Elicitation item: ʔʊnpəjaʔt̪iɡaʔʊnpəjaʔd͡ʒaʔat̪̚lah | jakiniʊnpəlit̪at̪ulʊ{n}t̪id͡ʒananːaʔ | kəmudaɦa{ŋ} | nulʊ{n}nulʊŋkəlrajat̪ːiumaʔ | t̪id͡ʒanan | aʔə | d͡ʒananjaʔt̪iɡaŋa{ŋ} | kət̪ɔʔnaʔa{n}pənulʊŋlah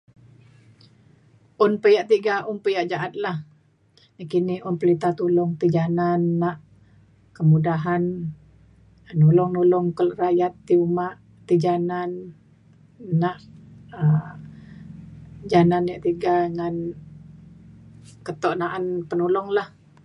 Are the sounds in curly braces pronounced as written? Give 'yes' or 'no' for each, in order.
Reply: no, no, no, no, yes

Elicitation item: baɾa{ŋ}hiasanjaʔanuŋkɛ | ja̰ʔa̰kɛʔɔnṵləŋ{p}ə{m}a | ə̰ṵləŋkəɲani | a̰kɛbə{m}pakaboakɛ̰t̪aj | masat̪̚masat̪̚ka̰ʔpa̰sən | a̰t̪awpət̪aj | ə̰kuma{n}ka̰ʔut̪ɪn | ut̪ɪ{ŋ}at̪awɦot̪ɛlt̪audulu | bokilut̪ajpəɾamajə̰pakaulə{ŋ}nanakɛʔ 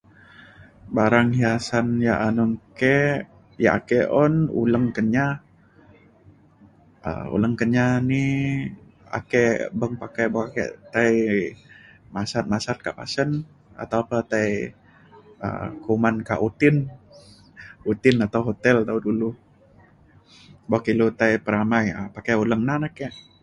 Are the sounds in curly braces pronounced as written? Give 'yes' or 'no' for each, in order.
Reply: yes, no, no, no, yes, no, yes

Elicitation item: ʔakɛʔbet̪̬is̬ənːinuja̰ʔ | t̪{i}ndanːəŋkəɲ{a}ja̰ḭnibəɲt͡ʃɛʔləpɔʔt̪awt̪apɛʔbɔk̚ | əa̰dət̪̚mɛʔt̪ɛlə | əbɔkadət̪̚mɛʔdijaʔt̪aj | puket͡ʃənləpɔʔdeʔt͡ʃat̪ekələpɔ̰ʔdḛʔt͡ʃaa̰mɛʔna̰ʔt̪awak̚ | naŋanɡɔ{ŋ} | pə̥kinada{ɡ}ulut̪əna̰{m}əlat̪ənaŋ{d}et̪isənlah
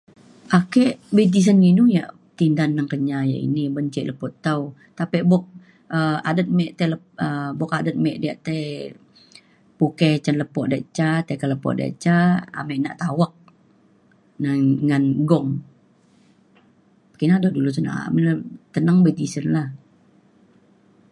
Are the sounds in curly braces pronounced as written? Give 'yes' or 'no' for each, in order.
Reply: yes, yes, yes, no, yes, no

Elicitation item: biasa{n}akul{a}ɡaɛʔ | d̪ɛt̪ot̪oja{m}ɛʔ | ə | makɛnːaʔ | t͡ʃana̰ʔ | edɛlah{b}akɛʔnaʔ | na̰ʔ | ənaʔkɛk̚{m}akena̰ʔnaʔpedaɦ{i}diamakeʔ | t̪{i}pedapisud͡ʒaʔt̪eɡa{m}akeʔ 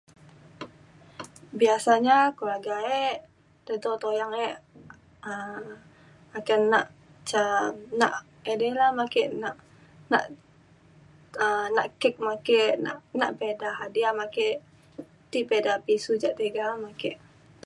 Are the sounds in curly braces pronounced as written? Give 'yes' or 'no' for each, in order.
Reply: no, yes, no, no, yes, no, yes, yes

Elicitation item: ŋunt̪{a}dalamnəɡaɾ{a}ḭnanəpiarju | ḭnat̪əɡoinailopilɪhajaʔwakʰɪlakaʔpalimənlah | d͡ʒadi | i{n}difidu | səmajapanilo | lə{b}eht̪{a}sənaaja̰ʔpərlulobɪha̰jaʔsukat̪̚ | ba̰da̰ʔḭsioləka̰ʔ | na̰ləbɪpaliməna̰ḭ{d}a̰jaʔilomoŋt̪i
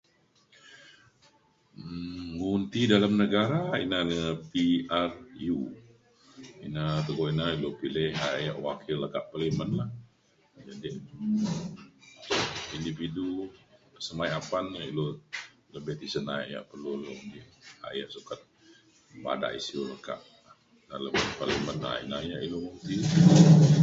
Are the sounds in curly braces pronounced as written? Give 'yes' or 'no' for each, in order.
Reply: no, yes, yes, yes, no, no

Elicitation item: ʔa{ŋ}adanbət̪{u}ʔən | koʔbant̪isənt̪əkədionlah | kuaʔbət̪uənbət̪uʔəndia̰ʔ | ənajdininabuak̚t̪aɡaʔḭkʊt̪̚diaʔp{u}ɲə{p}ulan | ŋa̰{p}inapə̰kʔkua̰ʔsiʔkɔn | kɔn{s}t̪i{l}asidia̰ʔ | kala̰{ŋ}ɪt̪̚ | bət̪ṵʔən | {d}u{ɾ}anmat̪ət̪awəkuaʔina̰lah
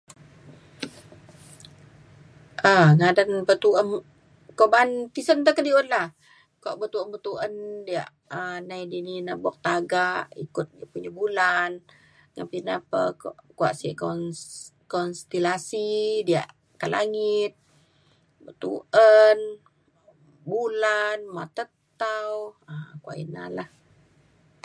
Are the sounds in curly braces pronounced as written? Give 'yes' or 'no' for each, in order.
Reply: yes, yes, yes, no, yes, yes, yes, yes, no, no

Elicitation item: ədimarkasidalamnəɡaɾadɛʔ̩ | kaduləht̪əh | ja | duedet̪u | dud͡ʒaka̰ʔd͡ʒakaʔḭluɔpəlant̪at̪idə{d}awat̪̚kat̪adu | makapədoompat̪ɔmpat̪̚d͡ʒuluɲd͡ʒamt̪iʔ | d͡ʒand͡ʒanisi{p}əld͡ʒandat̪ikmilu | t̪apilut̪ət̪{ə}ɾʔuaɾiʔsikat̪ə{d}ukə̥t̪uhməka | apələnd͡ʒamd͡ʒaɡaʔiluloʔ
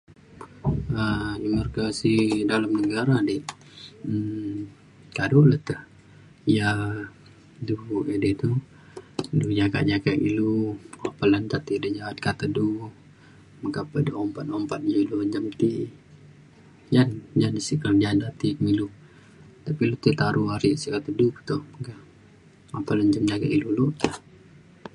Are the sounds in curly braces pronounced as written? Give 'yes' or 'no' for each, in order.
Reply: no, no, no, yes

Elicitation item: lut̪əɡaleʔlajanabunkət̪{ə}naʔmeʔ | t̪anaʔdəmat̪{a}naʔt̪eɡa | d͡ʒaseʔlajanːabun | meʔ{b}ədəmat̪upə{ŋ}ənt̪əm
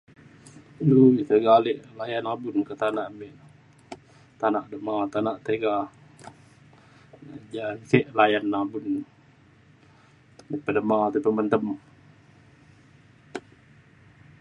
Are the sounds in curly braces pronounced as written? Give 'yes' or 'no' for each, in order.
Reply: no, yes, no, no

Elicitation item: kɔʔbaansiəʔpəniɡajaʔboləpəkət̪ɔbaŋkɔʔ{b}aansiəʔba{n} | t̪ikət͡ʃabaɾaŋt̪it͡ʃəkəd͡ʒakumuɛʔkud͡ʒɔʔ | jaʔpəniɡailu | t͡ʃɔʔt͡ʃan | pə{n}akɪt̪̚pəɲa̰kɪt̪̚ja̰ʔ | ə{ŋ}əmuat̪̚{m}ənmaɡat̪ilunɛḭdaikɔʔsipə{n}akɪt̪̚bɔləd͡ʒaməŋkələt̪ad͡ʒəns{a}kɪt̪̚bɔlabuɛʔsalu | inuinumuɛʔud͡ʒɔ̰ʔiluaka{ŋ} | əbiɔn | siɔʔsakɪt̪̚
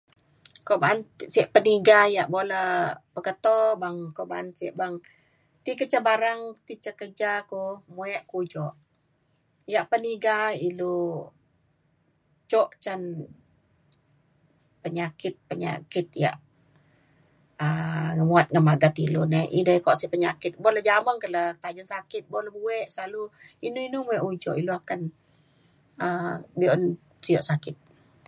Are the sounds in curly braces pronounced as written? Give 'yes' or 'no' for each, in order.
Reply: yes, no, no, yes, no, no, yes, no

